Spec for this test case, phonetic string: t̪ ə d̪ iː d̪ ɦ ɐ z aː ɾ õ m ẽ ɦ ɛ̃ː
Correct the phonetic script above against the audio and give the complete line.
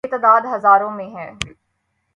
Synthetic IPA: t̪ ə d̪ aː d̪ ɦ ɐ z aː ɾ õ m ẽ ɦ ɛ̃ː

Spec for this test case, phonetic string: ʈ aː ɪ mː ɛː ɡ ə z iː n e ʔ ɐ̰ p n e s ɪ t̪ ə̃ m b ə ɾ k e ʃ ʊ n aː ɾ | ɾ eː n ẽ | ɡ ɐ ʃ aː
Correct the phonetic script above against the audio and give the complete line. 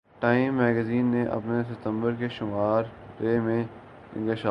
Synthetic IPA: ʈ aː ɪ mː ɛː ɡ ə z iː nː e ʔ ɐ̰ p n e s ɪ t̪ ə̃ m b ə ɾ k e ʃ ʊ m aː ɾ | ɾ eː m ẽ | ɡ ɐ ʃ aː

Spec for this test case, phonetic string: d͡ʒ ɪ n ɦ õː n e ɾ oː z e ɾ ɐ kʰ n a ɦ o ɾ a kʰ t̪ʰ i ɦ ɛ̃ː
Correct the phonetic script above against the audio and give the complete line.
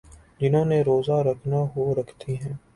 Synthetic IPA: d͡ʒ ɪ n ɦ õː n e ɾ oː z a ɾ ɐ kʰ n a ɦ o ɾ ɐ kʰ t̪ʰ i ɦ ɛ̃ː

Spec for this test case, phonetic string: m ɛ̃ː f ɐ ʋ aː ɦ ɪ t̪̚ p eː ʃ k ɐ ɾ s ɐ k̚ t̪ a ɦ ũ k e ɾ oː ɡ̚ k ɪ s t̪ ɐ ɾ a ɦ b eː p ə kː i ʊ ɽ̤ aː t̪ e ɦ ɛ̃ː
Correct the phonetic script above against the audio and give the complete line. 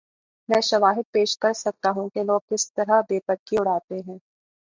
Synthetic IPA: m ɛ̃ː ʃ ɐ ʋ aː ɦ ɪ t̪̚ p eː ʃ k ɐ ɾ s ɐ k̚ t̪ a ɦ ũ k e l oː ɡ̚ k ɪ s t̪ ɐ ɾ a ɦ b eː p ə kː i ʊ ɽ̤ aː t̪ e ɦ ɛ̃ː

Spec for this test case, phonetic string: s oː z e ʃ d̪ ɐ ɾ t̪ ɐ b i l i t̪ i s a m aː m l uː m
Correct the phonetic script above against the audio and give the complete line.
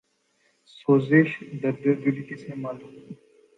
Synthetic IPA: s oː z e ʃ d̪ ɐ ɾ d̪ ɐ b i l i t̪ i s e m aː l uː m

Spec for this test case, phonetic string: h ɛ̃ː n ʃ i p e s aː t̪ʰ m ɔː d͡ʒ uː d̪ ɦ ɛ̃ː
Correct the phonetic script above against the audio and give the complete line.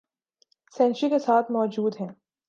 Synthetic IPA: s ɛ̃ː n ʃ i k e s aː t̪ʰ m ɔː d͡ʒ uː d̪ ɦ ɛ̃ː

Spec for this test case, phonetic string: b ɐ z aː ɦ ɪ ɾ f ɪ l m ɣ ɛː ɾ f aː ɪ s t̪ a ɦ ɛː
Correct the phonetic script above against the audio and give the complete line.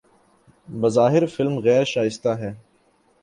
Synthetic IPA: b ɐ z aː ɦ ɪ ɾ f ɪ l m ɣ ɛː ɾ ʃ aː ɪ s t̪ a ɦ ɛː

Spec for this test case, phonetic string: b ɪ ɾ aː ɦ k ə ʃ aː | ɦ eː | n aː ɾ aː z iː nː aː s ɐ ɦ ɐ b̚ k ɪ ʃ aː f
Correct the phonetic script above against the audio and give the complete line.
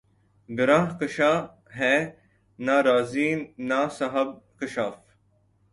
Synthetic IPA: b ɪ ɾ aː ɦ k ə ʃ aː | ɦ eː | n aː ɾ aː z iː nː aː s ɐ ɦ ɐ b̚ k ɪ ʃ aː f

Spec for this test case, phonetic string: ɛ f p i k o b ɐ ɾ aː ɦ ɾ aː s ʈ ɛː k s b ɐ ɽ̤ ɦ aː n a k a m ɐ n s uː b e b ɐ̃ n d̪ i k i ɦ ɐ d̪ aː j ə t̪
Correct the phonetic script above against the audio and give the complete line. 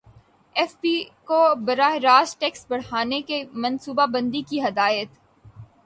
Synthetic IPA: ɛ f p i k o b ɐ ɾ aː ɦ ɾ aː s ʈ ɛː k s b ɐ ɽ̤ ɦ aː n e k e m ɐ n s uː b a b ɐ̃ n d̪ i k i ɦ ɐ d̪ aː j ə t̪

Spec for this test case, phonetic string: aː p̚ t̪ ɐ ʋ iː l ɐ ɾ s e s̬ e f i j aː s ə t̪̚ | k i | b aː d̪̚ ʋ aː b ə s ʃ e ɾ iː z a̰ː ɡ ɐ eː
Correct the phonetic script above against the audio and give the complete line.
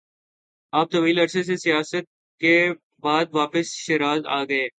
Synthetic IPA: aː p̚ t̪ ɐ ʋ iː l ɐ ɾ s e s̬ e s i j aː s ə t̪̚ | k e | b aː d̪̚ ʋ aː p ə s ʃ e ɾ aː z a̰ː ɡ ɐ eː

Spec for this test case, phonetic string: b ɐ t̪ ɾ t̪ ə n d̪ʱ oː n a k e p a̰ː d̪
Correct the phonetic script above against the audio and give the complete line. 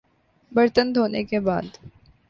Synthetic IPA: b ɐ ɾ t̪ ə n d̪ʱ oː n e k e b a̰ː d̪

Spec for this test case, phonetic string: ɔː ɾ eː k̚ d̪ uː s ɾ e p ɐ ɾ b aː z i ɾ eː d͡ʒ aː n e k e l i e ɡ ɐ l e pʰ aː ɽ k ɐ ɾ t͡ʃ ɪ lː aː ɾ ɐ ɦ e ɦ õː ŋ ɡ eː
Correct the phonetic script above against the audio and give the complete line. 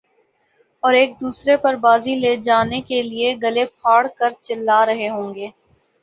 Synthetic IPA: ɔː ɾ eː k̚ d̪ uː s ɾ e p ɐ ɾ b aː z i l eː d͡ʒ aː n e k e l i e ɡ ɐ l e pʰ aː ɽ k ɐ ɾ t͡ʃ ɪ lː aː ɾ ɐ ɦ e ɦ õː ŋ ɡ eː

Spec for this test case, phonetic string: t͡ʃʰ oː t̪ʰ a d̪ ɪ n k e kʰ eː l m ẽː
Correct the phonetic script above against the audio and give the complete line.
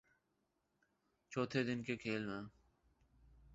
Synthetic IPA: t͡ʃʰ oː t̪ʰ e d̪ ɪ n k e kʰ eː l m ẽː

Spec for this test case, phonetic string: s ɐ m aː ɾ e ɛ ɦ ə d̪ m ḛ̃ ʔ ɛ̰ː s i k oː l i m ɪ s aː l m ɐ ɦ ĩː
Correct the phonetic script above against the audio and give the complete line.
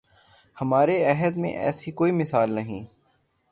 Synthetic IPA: h ɐ m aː ɾ e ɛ ɦ ə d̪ m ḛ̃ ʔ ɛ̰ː s i k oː i m ɪ s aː l n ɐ ɦ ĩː

